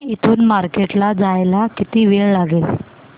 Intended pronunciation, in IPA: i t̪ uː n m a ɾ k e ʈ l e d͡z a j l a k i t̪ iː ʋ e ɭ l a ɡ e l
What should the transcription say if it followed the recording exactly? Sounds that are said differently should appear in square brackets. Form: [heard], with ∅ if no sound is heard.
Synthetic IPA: i [t̪ʰ] uː n m a ɾ k e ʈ l [a] d͡z a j l a k i t̪ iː ʋ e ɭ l a ɡ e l